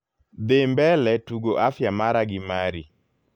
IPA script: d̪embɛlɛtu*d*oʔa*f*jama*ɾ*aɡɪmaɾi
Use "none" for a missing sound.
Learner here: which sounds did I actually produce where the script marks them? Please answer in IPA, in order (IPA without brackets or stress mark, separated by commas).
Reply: ɡ, f, ɾ